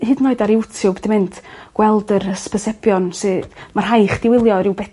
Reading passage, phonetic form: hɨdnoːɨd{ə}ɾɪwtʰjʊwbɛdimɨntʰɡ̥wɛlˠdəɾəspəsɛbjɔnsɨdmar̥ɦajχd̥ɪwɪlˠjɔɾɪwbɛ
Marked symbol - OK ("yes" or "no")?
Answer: no